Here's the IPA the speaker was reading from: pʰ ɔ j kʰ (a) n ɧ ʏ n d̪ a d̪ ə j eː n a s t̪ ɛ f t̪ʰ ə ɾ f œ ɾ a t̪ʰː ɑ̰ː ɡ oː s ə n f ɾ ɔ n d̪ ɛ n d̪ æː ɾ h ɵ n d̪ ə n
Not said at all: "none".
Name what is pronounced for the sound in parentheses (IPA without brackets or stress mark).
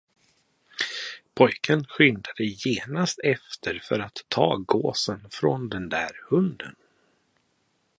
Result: ə